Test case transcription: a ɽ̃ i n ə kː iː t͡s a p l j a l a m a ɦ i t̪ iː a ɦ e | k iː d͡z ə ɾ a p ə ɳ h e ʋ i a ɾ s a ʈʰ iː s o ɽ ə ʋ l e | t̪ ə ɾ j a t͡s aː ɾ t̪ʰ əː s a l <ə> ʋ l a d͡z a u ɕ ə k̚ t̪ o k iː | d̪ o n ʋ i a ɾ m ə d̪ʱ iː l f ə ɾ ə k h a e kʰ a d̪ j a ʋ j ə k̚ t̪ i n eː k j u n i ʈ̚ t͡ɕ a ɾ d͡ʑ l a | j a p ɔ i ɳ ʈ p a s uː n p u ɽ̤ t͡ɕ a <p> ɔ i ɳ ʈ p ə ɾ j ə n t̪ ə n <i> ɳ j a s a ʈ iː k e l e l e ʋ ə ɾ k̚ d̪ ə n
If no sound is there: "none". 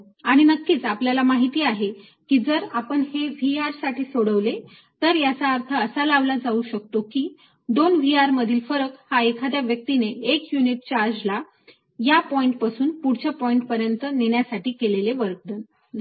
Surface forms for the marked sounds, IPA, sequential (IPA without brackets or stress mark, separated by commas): a, p, e